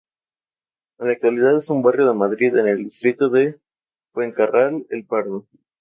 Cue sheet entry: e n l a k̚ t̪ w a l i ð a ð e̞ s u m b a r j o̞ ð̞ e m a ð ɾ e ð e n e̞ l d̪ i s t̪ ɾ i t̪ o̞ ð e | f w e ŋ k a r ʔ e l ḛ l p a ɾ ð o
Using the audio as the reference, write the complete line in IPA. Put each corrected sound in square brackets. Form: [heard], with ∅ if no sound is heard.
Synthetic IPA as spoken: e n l a k̚ t̪ w a l i ð a ð e̞ s u m b a r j o̞ ð̞ e m a ð ɾ [i] ð e n e̞ l d̪ i s t̪ ɾ i t̪ o̞ ð e | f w e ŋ k a r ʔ [a] l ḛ l p a ɾ ð o